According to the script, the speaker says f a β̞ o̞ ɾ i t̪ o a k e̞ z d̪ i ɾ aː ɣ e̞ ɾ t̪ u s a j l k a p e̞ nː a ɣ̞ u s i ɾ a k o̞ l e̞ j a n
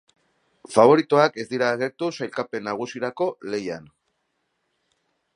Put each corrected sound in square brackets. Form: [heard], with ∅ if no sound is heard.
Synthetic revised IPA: f a β̞ o̞ ɾ i t̪ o a k e̞ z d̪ i ɾ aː ɣ e̞ ɾ t̪ u s a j l k a p e̞ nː a ɣ̞ u s i ɾ a k o̞ l e̞ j a n